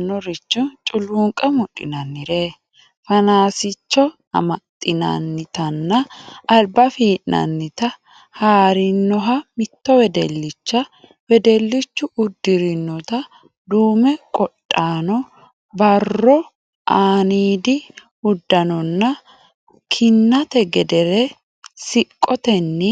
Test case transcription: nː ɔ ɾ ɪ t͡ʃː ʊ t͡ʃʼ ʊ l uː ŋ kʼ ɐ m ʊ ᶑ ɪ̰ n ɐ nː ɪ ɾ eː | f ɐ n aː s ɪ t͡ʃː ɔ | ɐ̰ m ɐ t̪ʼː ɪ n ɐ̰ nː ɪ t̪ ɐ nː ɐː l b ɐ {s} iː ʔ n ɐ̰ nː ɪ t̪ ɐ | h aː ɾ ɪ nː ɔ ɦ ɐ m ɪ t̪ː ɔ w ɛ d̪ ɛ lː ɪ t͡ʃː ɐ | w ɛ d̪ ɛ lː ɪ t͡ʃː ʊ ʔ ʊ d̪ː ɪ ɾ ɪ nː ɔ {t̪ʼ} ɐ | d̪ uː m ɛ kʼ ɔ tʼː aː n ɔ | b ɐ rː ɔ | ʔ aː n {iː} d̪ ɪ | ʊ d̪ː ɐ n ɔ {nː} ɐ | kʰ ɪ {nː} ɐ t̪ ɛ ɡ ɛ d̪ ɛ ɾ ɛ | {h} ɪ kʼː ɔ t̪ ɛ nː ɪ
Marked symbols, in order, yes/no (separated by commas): no, no, yes, yes, yes, no